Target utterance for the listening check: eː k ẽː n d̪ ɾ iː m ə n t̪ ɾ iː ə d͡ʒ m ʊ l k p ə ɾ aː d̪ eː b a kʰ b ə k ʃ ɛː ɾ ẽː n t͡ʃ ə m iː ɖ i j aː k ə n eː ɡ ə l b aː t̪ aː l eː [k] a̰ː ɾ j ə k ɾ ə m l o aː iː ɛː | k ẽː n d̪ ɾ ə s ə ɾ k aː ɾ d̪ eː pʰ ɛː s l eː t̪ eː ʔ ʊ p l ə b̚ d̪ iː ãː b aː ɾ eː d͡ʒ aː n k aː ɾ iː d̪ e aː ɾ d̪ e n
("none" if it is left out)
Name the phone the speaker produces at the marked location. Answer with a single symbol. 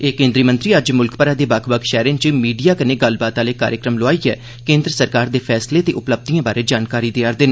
k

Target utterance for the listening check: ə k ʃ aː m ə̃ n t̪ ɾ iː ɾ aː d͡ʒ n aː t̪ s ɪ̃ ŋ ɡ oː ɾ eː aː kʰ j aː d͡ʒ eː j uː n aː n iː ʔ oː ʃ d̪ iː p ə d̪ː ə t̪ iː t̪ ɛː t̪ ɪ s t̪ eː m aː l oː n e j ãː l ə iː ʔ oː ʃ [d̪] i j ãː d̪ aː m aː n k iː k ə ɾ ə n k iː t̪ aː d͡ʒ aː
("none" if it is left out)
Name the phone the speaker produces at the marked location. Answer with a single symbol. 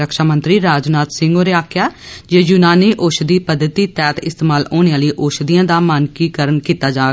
d̪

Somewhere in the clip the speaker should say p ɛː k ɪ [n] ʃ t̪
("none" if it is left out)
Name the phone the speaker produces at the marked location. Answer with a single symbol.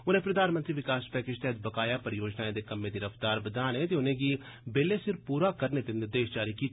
none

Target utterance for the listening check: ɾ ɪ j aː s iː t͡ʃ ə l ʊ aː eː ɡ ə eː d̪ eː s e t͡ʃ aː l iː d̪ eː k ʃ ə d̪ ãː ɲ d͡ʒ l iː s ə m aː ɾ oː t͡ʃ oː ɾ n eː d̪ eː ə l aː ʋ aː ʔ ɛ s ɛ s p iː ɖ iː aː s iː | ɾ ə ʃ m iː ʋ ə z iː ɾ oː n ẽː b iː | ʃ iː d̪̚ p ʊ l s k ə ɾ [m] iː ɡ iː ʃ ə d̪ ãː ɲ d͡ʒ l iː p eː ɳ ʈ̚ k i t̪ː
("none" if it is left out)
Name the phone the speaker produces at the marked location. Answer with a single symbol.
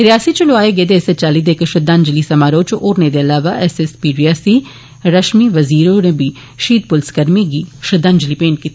m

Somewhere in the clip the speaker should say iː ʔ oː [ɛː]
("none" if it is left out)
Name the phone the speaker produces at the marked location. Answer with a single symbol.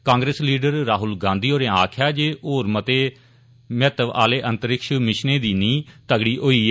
iː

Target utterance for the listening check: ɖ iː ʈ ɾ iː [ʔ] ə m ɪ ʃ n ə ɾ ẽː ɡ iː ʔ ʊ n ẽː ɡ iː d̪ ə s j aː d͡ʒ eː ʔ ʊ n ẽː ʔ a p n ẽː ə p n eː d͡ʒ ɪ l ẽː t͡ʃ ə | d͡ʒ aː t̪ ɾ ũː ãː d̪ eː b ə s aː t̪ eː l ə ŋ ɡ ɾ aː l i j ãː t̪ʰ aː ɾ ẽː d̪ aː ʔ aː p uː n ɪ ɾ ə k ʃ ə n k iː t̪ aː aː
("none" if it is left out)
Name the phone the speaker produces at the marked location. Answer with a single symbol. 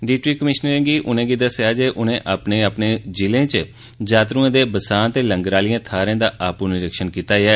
k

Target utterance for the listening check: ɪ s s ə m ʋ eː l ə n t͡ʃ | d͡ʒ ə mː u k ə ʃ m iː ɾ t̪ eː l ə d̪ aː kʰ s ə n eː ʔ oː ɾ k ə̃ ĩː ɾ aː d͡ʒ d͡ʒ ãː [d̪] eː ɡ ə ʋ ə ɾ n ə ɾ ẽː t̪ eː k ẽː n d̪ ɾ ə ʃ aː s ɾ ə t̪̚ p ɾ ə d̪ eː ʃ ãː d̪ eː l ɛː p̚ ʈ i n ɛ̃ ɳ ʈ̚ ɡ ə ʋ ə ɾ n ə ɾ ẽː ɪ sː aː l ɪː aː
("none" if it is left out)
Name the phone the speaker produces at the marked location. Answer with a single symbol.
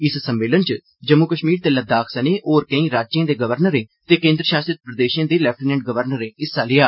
d̪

